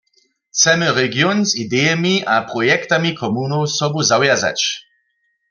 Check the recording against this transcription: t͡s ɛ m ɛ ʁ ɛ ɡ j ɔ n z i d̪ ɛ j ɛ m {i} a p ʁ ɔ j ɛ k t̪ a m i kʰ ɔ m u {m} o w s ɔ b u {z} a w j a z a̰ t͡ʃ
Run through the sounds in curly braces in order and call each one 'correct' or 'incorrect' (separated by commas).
correct, incorrect, correct